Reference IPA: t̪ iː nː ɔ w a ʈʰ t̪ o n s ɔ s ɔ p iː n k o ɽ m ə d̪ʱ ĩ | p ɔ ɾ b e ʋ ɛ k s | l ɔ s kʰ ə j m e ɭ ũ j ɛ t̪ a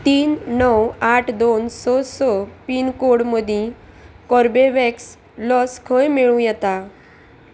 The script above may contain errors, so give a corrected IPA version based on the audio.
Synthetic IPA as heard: t̪ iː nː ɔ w a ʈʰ d̪ o n s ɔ s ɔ p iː n k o ɽ m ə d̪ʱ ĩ | k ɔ ɾ b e ʋ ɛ k s | l ɔ s kʰ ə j m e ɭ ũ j ɛ t̪ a